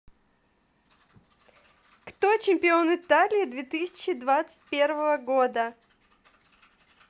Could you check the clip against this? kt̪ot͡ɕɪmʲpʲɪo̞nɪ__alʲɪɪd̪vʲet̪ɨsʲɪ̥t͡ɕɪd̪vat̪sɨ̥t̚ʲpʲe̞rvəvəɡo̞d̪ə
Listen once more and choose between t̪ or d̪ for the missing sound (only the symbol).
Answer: t̪